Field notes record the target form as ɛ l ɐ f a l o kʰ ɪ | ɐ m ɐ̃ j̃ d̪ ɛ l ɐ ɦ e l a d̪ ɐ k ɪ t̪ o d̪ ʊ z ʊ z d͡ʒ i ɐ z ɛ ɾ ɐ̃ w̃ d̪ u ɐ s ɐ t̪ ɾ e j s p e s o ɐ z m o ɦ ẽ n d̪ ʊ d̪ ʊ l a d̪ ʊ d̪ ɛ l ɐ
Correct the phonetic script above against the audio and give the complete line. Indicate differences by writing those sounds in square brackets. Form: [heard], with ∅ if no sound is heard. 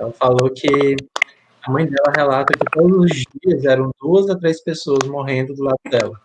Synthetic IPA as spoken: ɛ l ɐ f a l o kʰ ɪ | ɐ m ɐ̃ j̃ d̪ ɛ l ɐ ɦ e l a [t̪] ɐ k ɪ t̪ o d̪ ʊ z ʊ z d͡ʒ i ɐ z ɛ ɾ ɐ̃ w̃ d̪ u ɐ [z] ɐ t̪ ɾ e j s p e s o ɐ z m o ɦ ẽ n d̪ ʊ d̪ ʊ l a d̪ ʊ d̪ ɛ l ɐ